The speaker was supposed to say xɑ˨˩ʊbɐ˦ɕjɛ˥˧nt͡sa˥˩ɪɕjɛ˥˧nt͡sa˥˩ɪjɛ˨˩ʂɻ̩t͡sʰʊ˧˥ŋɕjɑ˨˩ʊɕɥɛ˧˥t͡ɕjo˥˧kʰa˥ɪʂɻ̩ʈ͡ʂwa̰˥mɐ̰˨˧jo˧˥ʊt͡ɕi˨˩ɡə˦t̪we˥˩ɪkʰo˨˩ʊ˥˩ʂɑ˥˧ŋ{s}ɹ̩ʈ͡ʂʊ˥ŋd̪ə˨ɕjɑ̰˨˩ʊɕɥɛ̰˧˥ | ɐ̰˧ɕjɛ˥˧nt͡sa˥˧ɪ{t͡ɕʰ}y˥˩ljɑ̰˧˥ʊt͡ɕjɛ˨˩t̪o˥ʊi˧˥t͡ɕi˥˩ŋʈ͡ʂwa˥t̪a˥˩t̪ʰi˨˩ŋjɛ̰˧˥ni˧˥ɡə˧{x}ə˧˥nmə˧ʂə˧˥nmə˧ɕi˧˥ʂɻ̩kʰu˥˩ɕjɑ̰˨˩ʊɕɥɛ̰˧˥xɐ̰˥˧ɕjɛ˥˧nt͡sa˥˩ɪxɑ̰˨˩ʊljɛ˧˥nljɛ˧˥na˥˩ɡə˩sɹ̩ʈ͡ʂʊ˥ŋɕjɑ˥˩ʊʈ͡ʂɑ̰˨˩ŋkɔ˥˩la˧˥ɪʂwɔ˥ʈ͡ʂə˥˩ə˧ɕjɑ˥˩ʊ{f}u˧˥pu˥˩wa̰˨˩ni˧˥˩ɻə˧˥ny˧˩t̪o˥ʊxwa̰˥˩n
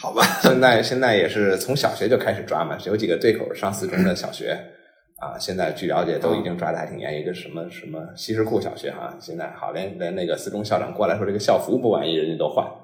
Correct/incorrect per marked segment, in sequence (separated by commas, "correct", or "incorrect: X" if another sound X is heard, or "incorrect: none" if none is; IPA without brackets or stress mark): correct, incorrect: t͡ɕ, incorrect: ʂ, correct